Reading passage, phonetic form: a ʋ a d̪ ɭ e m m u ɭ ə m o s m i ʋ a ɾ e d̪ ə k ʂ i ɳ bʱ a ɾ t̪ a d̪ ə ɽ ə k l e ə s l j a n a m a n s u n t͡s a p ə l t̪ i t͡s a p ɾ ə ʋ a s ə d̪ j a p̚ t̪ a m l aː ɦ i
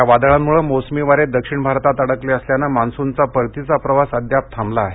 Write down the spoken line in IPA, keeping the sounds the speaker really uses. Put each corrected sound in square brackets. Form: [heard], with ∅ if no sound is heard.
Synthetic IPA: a ʋ a d̪ ɭ [a] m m u ɭ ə m o s m i ʋ a ɾ e d̪ ə k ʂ i ɳ bʱ a ɾ t̪ a [t̪] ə ɽ ə k l e ə s l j a n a m a n s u n t͡s a p ə [ɾ] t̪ i t͡s a p ɾ ə ʋ a s ə d̪ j a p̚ [t̪ʰ] a m l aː ɦ [e]